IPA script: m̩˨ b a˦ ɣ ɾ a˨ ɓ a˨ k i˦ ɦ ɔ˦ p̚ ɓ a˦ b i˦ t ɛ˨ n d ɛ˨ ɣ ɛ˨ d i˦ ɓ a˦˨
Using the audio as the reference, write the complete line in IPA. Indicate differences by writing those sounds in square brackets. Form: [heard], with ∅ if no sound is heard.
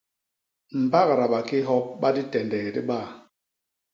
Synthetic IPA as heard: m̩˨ b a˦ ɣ ɾ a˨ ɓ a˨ k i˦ ɦ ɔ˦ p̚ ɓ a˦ [d] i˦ t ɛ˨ n d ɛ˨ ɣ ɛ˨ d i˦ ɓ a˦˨